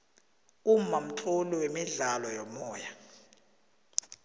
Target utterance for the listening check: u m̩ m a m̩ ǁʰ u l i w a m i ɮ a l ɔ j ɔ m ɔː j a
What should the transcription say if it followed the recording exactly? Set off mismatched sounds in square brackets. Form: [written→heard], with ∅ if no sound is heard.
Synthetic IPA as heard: u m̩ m a m̩ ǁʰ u l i w [a→e] m i ɮ a l ɔ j ɔ m ɔː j a